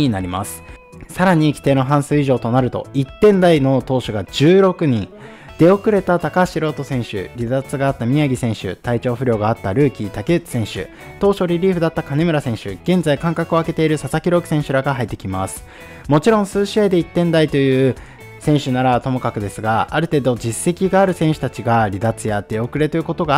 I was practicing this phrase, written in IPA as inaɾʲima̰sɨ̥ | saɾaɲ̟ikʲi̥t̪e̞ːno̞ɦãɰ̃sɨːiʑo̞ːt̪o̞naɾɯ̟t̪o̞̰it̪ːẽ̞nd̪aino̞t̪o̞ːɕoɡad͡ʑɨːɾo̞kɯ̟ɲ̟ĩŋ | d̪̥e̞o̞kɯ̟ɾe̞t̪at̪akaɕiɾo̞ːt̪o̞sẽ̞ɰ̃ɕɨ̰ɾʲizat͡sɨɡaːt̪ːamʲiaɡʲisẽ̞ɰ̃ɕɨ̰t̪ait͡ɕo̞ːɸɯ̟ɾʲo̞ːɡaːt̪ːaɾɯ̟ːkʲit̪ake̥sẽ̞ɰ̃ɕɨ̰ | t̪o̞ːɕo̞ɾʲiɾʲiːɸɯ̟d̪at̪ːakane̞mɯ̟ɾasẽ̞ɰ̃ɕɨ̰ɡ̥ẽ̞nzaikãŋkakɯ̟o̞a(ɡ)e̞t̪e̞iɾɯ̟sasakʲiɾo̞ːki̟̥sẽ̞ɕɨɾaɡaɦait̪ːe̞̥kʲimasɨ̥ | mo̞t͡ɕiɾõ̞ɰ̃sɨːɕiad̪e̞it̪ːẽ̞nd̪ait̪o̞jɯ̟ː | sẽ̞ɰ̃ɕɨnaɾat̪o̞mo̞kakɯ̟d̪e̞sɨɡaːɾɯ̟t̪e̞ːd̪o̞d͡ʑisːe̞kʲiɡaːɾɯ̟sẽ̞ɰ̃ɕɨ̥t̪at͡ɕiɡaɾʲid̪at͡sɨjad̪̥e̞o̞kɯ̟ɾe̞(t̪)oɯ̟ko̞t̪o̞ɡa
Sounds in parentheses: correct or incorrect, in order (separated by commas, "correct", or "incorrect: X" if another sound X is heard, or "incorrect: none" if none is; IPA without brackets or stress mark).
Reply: incorrect: k, correct